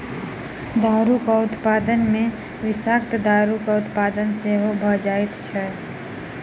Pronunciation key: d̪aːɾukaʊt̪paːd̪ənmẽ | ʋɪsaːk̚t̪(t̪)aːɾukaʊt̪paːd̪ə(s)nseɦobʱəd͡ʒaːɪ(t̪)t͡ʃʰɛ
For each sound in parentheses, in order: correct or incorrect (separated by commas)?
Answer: incorrect, incorrect, correct